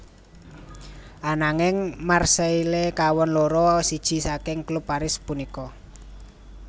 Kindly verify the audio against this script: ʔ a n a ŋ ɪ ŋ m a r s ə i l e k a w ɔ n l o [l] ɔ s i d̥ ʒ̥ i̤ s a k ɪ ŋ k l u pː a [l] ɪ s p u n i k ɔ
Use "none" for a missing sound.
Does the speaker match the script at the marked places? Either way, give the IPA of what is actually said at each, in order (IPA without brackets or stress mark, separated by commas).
ɾ, ɾ